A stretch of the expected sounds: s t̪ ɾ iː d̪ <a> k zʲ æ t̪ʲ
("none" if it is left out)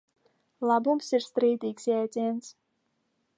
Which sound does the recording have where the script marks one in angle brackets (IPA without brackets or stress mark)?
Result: i